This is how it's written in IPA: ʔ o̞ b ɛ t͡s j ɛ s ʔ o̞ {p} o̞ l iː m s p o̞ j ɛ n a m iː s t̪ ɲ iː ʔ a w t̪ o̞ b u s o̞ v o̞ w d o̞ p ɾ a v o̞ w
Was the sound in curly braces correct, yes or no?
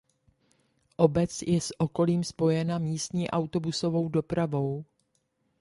no